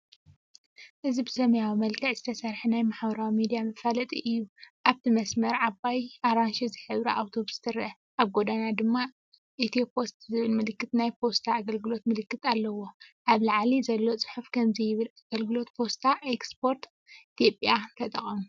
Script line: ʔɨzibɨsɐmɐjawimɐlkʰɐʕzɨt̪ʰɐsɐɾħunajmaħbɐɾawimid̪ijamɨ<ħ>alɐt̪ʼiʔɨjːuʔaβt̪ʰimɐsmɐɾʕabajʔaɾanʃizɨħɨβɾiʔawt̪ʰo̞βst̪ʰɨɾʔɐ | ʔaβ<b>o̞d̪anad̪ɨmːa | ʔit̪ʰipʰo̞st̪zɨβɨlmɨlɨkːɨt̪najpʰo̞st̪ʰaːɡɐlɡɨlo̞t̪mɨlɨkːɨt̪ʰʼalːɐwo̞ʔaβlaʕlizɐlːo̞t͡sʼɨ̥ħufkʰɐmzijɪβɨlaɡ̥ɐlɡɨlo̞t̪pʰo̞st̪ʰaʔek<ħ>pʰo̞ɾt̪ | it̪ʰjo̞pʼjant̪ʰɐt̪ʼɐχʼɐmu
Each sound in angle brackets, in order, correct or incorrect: incorrect: f, incorrect: ɡ, incorrect: s

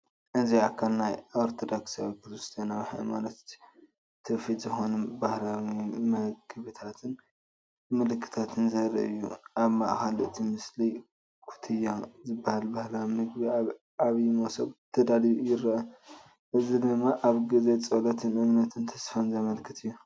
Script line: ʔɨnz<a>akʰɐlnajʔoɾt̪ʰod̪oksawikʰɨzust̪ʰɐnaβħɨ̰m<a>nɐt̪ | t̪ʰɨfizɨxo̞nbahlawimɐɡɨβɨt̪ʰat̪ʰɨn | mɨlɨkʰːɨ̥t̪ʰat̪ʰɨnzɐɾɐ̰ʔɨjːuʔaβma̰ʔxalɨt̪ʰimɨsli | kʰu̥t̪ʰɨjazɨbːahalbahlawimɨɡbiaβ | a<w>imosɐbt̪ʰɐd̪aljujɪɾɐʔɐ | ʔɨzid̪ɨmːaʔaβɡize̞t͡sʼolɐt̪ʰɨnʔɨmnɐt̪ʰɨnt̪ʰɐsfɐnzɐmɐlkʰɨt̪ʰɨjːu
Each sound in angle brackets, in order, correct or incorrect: incorrect: i, correct, incorrect: β

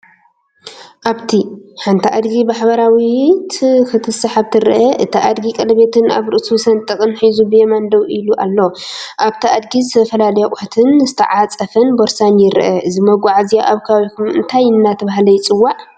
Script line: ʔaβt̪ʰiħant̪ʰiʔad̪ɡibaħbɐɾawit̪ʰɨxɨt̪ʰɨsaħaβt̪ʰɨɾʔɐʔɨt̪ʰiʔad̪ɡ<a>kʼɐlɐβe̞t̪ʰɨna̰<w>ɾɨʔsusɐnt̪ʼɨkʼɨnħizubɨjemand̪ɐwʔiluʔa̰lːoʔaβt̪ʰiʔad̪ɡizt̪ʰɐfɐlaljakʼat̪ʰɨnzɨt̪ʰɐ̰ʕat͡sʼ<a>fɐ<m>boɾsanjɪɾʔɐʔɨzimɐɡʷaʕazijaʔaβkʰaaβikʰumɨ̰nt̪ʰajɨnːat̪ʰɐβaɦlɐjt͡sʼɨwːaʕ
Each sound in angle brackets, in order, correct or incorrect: incorrect: i, incorrect: β, incorrect: ɐ, incorrect: n

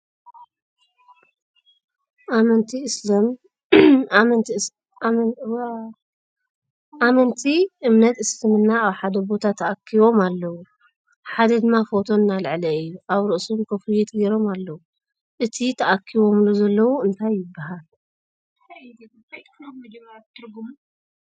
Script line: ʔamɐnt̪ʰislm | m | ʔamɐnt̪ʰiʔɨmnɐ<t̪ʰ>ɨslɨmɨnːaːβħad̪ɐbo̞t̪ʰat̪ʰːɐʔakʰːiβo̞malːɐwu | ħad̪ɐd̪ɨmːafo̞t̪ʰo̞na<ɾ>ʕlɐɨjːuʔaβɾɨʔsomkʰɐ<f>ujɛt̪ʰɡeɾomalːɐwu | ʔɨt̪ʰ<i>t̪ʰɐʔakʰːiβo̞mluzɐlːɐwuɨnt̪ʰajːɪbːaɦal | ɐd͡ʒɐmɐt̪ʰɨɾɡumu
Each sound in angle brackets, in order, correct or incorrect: incorrect: t̪, incorrect: l, correct, correct

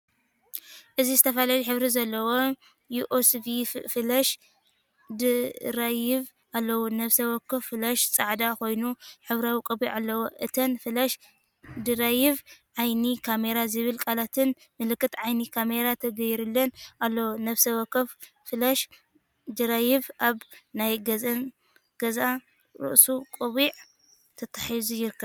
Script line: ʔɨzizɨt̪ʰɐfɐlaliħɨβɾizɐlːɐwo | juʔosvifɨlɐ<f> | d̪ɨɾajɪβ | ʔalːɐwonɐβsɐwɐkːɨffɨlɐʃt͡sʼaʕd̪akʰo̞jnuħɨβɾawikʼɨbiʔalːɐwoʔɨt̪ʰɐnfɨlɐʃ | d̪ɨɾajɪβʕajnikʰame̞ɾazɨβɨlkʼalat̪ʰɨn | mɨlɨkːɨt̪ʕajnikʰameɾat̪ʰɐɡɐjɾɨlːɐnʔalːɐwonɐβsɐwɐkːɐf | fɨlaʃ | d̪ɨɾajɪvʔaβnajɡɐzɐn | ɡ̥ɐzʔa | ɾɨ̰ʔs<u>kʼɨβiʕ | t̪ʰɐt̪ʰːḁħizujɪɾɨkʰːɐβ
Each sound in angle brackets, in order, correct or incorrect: incorrect: ʃ, correct

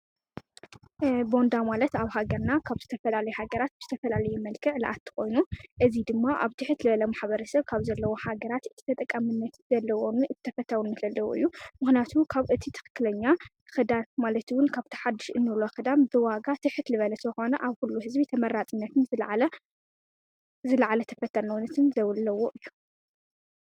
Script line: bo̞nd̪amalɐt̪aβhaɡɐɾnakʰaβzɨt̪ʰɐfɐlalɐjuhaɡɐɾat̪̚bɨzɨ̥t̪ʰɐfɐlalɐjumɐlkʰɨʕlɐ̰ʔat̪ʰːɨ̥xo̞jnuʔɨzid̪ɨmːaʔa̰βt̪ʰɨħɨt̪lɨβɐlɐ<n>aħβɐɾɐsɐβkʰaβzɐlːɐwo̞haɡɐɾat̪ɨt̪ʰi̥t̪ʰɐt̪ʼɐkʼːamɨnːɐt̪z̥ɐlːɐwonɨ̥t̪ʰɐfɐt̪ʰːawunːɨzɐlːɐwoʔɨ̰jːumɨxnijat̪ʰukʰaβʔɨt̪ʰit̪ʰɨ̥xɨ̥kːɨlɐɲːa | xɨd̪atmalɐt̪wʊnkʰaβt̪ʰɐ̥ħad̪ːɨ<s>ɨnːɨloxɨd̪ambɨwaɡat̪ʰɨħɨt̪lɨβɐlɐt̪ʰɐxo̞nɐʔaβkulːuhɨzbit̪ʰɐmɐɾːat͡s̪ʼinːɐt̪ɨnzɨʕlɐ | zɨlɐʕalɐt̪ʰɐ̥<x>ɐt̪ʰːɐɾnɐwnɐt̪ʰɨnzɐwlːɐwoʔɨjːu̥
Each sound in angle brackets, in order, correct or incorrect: incorrect: m, incorrect: ʃ, incorrect: f

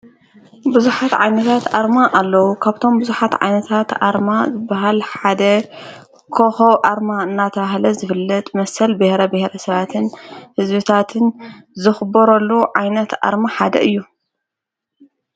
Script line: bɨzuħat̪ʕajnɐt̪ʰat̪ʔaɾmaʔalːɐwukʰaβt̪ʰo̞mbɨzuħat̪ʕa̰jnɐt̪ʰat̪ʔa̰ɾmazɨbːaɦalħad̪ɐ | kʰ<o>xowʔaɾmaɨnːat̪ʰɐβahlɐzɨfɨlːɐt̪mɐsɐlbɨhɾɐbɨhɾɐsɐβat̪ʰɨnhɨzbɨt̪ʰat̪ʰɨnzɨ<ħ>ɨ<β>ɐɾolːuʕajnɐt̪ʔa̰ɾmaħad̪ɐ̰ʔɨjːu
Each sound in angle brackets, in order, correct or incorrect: correct, incorrect: x, incorrect: b

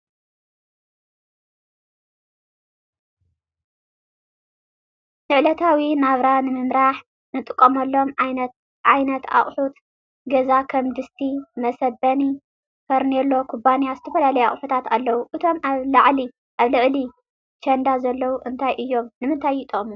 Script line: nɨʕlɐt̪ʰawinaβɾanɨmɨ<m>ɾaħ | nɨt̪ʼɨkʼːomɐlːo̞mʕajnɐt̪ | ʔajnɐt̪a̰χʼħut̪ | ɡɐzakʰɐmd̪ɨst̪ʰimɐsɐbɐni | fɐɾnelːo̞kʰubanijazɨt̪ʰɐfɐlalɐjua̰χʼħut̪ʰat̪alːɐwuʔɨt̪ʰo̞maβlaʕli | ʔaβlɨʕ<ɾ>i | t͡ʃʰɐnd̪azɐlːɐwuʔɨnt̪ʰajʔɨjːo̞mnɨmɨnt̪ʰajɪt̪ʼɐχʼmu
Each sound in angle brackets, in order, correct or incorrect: correct, incorrect: l

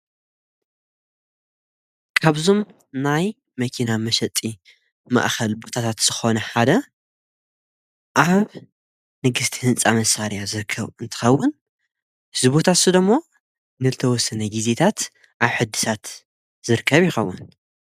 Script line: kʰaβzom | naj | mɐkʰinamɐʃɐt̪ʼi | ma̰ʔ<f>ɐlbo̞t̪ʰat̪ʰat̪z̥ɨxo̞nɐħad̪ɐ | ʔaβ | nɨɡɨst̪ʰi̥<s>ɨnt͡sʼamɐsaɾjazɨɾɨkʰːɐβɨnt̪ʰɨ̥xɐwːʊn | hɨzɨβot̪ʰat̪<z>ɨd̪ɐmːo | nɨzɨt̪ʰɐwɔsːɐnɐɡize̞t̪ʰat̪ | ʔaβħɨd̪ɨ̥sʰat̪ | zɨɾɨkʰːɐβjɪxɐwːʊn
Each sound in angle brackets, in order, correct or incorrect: incorrect: x, incorrect: h, incorrect: s

